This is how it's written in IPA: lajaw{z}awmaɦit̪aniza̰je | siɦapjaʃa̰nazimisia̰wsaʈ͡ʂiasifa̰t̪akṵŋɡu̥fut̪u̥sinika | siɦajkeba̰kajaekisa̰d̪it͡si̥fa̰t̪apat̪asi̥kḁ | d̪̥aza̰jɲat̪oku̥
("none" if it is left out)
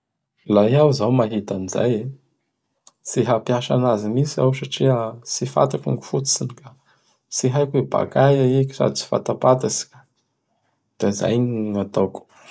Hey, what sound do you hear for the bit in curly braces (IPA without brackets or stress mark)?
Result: z